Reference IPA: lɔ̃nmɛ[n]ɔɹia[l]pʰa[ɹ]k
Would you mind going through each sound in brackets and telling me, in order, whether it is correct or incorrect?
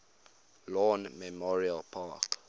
incorrect, correct, incorrect

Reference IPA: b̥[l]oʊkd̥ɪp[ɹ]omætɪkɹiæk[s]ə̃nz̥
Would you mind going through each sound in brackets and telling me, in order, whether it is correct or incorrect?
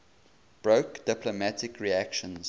incorrect, incorrect, incorrect

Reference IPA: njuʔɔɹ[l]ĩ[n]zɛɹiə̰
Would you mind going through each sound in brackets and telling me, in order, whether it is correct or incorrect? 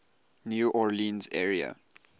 correct, correct

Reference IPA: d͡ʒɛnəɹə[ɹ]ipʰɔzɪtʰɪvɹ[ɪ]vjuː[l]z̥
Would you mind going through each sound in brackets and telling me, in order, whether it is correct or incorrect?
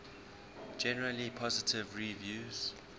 incorrect, incorrect, incorrect

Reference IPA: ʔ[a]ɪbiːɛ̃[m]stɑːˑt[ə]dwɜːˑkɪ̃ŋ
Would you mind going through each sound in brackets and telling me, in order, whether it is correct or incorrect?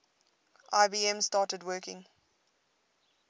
correct, correct, correct

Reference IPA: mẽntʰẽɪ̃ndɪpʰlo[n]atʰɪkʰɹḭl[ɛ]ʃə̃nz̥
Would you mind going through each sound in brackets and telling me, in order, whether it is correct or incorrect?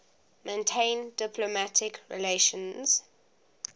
incorrect, incorrect

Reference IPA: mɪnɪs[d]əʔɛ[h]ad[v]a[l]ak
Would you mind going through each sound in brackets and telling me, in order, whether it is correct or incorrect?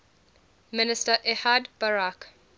incorrect, correct, incorrect, incorrect

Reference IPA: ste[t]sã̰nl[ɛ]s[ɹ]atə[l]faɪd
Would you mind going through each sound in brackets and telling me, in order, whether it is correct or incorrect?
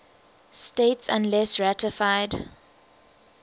correct, correct, correct, incorrect

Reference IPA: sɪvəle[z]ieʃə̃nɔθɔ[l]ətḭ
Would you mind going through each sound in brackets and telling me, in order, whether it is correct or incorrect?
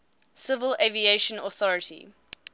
incorrect, incorrect

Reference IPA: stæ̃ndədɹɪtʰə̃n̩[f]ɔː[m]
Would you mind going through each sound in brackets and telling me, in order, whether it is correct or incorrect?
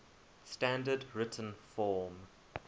correct, correct

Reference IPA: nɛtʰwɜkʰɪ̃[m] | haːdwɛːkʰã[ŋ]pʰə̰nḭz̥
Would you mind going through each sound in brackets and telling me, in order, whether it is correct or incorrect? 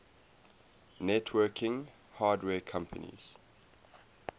incorrect, incorrect

